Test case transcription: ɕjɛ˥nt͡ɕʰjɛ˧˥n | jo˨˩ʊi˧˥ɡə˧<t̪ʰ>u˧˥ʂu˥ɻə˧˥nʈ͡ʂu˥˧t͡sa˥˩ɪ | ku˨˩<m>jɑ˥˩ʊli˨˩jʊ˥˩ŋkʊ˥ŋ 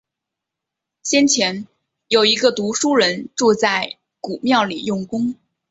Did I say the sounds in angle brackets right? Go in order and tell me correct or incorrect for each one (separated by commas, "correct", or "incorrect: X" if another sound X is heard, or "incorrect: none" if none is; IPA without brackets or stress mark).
incorrect: t̪, correct